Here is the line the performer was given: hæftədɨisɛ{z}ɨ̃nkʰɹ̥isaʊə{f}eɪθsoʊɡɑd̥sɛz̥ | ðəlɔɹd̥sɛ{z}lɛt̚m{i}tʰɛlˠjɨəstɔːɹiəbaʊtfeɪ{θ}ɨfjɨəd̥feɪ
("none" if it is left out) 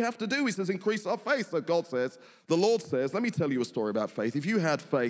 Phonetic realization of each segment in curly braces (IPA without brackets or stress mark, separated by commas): z, f, z, i, θ